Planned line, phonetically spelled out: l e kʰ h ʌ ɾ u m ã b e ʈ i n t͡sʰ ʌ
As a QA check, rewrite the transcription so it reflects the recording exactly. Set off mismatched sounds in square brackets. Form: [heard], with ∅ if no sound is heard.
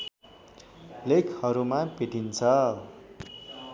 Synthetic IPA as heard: l e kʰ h ʌ ɾ u m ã [p] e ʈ i n t͡sʰ ʌ

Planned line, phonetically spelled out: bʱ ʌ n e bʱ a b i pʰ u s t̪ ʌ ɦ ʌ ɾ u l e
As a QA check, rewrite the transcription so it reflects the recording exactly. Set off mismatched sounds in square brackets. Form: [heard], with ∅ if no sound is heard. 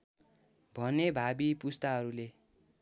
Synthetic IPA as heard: bʱ ʌ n e bʱ a b i [p] u s t̪ [a] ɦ ʌ ɾ u l e

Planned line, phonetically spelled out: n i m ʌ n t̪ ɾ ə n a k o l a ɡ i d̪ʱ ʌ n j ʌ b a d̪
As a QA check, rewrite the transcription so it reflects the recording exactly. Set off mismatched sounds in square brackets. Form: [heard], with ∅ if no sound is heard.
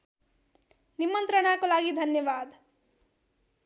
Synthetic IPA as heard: n i m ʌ n t̪ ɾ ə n a k o l a ɡ i d̪ʱ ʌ n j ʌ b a d̪

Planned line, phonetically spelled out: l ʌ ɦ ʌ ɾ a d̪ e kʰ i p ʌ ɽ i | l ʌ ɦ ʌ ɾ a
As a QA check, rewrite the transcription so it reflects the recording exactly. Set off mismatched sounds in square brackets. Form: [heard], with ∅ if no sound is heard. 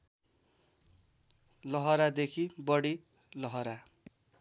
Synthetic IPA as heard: l ʌ ɦ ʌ ɾ a d̪ e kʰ i [b] ʌ ɽ i | l ʌ ɦ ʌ ɾ a

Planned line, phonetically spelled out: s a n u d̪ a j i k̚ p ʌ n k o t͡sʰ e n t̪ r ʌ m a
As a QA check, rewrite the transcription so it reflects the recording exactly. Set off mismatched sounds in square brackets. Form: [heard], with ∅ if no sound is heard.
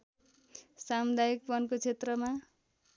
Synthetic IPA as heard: s a [m] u d̪ a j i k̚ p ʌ n k o t͡sʰ e [∅] t̪ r ʌ m a

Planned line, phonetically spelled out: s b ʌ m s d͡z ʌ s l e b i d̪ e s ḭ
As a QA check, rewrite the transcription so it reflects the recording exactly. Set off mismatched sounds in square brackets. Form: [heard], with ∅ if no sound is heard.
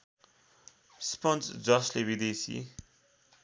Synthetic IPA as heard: s [p] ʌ [n] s d͡z ʌ s l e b i d̪ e s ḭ

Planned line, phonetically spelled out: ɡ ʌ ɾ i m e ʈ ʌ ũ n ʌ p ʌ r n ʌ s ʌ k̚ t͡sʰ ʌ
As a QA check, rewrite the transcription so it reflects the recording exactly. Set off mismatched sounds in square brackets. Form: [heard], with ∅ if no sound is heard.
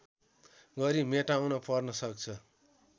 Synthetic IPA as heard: ɡ ʌ ɾ i m e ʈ [a] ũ n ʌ p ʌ r n ʌ s ʌ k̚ t͡sʰ ʌ

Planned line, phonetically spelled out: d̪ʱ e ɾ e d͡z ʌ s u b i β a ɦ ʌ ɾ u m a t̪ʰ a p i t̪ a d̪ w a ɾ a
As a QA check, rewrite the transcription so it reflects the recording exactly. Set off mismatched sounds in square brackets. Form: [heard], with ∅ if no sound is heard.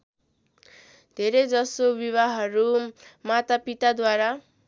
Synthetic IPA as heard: d̪ʱ e ɾ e d͡z ʌ s [o] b i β a ɦ ʌ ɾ u m a [t̪] a p i t̪ a d̪ w a ɾ a

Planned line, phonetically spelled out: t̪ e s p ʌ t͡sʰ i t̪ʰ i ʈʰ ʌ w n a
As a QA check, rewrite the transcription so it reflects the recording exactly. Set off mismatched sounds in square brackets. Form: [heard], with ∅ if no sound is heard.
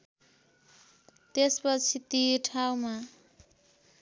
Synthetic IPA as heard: t̪ e s p ʌ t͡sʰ i [t̪] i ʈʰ [a] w [m] a

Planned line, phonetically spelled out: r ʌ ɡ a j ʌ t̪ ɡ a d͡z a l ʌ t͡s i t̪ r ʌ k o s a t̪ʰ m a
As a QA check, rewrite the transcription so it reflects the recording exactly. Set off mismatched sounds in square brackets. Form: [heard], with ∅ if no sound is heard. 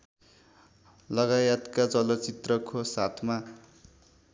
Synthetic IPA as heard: [l] ʌ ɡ a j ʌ t̪ [k] a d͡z [ʌ] l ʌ t͡s i t̪ r ʌ k o s a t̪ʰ m a

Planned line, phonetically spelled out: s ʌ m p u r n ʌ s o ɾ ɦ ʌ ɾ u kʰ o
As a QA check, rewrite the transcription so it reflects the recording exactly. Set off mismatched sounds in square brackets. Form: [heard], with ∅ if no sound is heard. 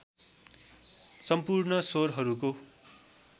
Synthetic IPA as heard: s ʌ m p u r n ʌ s o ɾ ɦ ʌ ɾ u [k] o

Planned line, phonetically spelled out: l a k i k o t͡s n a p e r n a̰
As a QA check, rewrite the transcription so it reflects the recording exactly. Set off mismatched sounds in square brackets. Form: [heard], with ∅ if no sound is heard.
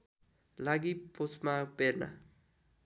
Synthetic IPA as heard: l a [ɡ] i [p] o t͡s [m] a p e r n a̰

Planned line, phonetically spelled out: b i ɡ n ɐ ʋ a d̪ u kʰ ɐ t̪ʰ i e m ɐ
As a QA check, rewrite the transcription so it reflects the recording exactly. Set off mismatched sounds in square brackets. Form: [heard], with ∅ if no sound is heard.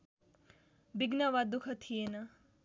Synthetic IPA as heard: b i ɡ n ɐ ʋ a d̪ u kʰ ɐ t̪ʰ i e [n] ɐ

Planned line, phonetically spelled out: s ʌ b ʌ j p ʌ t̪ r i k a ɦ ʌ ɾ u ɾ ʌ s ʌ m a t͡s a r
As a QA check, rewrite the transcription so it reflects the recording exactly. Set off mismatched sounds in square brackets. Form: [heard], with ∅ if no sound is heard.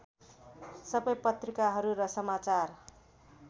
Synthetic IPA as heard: s ʌ b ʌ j p ʌ t̪ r i k a ɦ ʌ ɾ u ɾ ʌ s ʌ m a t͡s a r

